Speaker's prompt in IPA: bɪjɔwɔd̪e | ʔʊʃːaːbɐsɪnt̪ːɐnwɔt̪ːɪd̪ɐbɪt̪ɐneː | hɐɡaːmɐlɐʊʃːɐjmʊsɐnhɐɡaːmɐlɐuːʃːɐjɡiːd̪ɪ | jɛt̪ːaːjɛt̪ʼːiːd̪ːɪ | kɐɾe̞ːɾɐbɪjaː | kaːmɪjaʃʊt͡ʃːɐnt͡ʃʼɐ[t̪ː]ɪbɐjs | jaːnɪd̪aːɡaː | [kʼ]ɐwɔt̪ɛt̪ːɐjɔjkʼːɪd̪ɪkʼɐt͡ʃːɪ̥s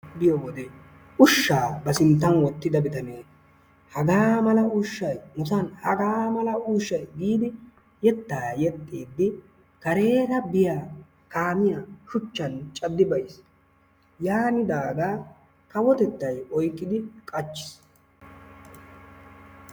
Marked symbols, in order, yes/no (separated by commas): no, no